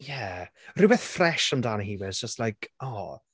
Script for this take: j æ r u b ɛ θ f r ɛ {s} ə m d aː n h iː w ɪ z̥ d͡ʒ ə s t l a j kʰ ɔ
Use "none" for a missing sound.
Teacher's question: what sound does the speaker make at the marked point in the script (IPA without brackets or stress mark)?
ʃ